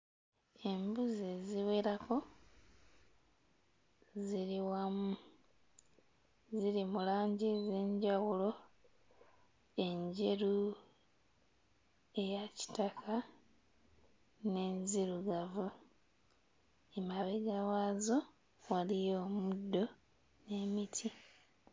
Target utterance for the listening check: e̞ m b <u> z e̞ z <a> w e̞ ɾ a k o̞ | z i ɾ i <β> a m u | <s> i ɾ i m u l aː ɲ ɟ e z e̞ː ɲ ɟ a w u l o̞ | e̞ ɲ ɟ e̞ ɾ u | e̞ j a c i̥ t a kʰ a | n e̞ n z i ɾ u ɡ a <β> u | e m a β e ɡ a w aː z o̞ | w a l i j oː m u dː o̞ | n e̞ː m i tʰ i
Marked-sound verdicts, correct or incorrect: correct, incorrect: i, incorrect: w, incorrect: z, incorrect: v

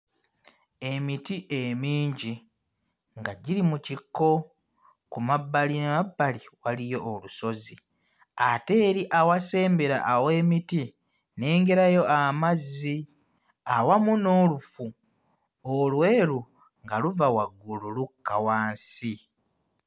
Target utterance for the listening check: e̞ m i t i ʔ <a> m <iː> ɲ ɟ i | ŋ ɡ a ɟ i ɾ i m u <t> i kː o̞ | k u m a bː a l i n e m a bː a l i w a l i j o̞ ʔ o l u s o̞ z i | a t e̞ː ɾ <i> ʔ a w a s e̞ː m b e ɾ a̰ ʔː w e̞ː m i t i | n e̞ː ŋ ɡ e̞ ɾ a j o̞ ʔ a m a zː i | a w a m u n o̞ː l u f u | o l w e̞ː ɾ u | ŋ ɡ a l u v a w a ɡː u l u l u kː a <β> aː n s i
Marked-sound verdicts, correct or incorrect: incorrect: e, correct, incorrect: c, correct, incorrect: w

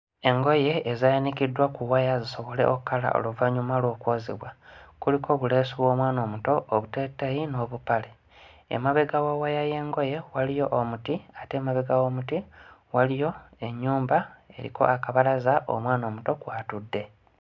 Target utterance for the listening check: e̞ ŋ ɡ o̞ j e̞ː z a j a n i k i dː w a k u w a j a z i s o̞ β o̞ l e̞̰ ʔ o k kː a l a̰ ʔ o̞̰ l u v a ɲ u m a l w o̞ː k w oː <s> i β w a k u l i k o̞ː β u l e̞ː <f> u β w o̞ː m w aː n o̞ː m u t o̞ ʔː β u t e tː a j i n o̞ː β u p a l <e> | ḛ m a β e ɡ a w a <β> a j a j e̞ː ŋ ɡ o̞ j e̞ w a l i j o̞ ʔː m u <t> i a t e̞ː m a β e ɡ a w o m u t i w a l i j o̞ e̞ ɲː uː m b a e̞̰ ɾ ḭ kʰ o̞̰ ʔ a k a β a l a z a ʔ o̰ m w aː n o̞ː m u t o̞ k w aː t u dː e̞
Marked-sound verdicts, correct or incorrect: incorrect: z, incorrect: s, correct, incorrect: w, correct

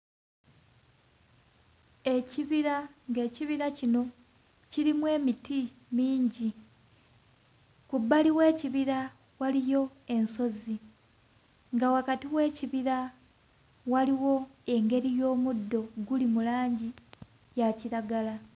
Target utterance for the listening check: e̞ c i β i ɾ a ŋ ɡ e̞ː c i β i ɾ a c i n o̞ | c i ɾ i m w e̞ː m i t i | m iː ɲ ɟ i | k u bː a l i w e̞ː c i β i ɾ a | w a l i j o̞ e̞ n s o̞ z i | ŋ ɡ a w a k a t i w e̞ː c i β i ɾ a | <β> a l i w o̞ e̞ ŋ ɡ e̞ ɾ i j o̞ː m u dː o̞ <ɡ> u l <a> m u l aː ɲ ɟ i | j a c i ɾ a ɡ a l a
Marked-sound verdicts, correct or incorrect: incorrect: w, correct, incorrect: i

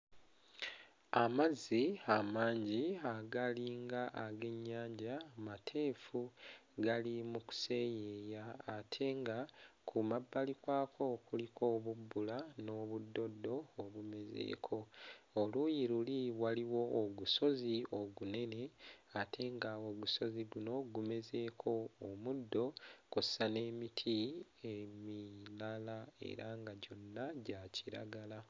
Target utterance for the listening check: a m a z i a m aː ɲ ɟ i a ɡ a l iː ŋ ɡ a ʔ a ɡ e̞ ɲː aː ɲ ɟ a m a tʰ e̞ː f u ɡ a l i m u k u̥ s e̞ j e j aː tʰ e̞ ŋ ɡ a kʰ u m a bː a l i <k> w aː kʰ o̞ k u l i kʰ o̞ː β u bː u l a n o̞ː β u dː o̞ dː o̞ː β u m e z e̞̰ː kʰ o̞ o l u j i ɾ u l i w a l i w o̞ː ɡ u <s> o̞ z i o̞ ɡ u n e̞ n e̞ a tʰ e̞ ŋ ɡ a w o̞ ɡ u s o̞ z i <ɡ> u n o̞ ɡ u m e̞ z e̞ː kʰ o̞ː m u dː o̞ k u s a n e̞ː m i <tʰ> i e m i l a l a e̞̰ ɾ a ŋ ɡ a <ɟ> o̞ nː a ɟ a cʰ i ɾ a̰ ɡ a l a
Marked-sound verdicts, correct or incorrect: correct, correct, correct, correct, correct

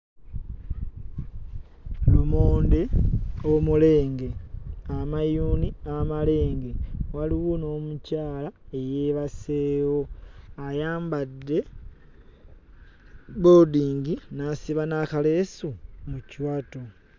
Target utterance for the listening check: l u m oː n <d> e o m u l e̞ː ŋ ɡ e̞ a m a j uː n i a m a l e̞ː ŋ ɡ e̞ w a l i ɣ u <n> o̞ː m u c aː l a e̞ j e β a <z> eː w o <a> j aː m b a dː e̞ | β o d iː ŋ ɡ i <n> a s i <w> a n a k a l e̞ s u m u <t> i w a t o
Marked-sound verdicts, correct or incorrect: correct, correct, incorrect: s, correct, correct, incorrect: β, incorrect: c

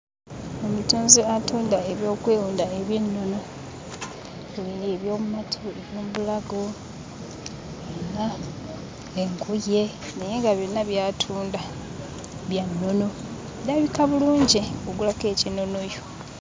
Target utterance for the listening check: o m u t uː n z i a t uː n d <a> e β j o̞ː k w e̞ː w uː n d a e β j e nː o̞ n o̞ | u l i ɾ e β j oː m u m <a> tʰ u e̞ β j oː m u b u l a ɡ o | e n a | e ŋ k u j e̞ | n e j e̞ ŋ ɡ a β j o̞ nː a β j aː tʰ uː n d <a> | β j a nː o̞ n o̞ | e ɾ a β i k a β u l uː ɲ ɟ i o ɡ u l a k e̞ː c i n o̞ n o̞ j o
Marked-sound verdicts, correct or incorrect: correct, correct, correct

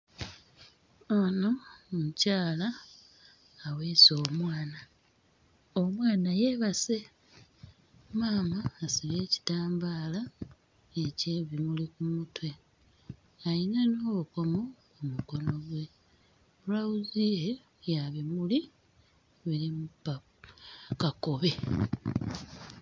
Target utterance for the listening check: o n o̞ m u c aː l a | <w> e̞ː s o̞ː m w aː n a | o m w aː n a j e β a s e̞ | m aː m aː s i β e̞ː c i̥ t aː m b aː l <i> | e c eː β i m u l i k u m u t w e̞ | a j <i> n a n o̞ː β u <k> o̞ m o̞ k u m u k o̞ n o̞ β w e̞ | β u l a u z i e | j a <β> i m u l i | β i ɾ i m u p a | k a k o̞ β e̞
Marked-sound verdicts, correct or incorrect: correct, incorrect: a, correct, correct, correct

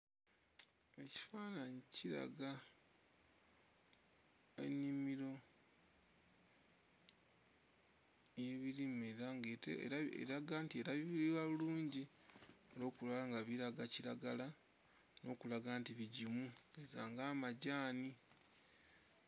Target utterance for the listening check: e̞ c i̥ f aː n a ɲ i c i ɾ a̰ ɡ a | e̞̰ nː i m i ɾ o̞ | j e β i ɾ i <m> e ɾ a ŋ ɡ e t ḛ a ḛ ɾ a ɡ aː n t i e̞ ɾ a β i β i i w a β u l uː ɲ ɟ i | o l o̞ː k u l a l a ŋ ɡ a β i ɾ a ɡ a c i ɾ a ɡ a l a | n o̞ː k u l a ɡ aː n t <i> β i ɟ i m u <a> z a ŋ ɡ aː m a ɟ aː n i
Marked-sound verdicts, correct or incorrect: correct, correct, incorrect: e

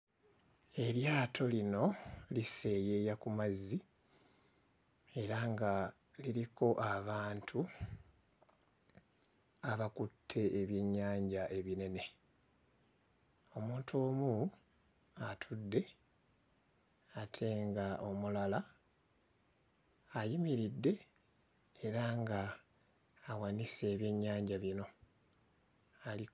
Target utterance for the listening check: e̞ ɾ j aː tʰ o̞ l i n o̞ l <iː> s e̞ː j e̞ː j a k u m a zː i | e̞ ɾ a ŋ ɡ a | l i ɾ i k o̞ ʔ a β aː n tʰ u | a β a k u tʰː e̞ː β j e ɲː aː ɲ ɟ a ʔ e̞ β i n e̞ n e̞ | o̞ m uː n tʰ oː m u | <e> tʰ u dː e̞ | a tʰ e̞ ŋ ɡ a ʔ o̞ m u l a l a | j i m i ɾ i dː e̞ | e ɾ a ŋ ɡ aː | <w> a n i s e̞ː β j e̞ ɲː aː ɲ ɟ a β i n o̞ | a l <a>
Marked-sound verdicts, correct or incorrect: incorrect: i, incorrect: a, correct, incorrect: i

